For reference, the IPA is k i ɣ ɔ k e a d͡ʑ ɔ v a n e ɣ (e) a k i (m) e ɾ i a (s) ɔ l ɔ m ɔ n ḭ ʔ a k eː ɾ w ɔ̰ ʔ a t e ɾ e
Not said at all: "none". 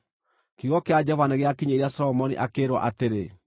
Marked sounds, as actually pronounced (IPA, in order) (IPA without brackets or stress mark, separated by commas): e, ɲ, s